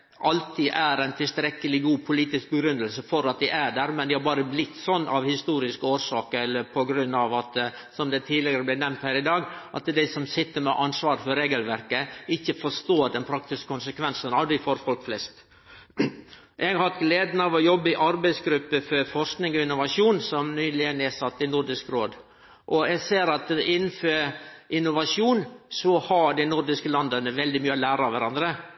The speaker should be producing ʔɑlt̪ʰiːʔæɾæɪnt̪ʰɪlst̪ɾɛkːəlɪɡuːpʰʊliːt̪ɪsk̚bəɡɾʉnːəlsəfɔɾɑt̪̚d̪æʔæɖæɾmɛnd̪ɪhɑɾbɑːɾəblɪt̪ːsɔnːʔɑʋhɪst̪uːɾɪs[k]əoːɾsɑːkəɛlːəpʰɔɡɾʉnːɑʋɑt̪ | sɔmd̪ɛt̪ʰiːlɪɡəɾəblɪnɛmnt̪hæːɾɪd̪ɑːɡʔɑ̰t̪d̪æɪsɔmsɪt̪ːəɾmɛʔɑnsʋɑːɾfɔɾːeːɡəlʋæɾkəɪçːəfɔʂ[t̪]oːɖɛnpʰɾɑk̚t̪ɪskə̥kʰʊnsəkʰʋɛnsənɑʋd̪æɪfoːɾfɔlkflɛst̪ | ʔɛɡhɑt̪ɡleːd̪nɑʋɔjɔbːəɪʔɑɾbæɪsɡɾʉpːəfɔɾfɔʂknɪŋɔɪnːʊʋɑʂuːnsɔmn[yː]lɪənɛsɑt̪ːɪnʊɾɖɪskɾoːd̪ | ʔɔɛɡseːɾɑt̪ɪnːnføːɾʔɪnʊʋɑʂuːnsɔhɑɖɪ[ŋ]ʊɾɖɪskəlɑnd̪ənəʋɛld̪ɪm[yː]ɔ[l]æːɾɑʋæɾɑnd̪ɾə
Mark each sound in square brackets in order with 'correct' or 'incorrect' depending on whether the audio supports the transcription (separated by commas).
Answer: correct, correct, correct, incorrect, correct, correct